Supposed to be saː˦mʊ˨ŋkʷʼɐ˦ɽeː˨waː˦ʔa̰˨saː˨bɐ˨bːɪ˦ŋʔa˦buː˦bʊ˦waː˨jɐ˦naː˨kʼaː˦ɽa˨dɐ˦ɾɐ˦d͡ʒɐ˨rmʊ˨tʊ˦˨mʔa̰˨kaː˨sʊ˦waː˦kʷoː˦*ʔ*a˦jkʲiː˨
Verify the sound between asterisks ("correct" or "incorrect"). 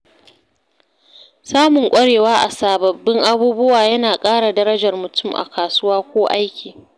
correct